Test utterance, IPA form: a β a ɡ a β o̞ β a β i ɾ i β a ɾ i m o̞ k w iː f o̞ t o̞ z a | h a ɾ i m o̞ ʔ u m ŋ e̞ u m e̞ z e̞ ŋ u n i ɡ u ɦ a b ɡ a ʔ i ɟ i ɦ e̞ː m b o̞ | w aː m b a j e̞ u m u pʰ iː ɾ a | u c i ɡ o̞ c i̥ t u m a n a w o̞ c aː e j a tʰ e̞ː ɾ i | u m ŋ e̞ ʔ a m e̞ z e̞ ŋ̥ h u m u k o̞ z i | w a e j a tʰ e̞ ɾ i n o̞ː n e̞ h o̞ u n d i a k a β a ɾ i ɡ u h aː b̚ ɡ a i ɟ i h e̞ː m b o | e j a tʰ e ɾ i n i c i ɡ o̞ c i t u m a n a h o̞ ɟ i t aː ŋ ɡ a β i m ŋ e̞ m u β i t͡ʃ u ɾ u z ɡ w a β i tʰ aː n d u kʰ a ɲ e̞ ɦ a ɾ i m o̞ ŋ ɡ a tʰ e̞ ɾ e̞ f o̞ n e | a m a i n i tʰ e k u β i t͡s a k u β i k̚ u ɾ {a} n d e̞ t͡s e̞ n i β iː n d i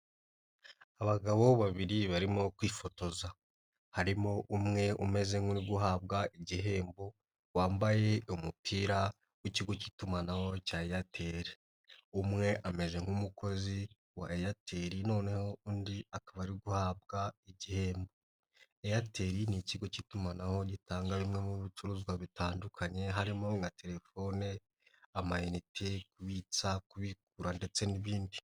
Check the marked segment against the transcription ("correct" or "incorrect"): correct